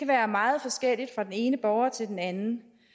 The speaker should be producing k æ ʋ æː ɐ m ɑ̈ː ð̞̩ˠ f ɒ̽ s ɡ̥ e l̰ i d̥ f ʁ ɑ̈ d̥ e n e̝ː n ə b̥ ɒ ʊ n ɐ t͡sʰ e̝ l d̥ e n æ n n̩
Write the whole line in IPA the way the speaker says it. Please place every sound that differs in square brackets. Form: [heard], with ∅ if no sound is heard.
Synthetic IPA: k æ ʋ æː ɐ m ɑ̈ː ð̞̩ˠ f ɒ̽ s ɡ̥ e l̰ i d̥ f ʁ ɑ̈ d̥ e n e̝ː n ə b̥ ɒ ʊ [∅] ɐ t͡sʰ e̝ l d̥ e n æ n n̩